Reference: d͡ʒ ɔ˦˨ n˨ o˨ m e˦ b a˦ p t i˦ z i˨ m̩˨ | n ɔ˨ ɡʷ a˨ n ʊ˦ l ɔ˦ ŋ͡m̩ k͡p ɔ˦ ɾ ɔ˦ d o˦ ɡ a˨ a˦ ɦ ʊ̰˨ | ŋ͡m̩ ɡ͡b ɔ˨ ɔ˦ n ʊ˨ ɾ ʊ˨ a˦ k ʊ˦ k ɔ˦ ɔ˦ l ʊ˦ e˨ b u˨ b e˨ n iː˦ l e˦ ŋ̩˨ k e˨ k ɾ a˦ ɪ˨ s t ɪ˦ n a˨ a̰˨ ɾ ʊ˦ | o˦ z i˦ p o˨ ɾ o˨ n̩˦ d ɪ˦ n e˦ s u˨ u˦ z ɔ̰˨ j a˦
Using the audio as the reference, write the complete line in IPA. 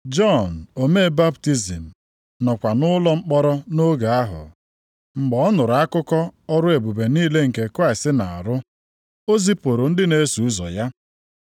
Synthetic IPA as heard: d͡ʒ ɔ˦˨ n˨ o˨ m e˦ b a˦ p t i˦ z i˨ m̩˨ | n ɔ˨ kʷ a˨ n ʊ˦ l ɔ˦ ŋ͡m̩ k͡p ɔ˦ ɾ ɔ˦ n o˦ ɡ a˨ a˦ ɦ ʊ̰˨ | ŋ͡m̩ ɡ͡b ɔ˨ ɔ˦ n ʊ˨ ɾ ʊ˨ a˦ k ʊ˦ k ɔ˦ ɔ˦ ɾ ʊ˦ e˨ b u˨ b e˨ n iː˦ l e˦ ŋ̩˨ k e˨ k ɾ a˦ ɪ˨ s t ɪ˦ n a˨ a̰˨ ɾ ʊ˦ | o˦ z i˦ p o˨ ɾ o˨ n̩˦ d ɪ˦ n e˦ s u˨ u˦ z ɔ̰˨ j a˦